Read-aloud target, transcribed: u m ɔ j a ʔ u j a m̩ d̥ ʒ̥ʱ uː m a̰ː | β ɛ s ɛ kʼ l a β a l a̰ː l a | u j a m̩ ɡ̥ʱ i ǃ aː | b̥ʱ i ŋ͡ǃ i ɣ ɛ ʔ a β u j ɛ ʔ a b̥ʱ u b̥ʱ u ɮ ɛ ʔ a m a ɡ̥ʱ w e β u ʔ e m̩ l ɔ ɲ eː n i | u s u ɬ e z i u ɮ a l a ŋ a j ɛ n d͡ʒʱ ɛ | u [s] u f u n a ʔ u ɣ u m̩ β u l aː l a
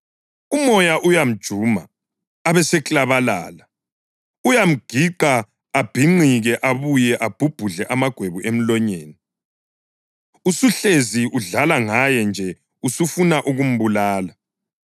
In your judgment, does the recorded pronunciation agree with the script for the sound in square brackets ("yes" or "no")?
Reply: yes